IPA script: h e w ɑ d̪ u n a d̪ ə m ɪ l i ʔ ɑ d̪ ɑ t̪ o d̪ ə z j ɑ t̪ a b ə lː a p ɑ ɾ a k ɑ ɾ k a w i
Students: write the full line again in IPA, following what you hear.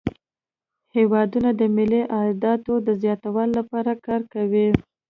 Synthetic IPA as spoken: h e w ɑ d̪ u n a d̪ ə m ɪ l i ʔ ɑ d̪ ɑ t̪ o d̪ ə z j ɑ t̪ a w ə lː a p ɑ ɾ a k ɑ ɾ k a w i